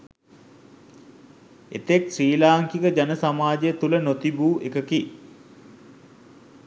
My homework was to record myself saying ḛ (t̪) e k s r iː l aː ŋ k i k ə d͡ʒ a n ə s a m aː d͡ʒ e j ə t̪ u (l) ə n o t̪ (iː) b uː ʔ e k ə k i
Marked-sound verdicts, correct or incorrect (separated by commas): correct, correct, incorrect